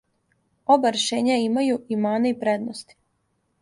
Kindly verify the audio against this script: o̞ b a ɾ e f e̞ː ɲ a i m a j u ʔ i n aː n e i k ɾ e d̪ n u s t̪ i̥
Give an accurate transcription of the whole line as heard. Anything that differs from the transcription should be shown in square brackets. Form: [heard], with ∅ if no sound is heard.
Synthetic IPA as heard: o̞ b a ɾ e [ʃ] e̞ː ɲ a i m a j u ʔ i [m] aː n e i [p] ɾ e d̪ n [o] s t̪ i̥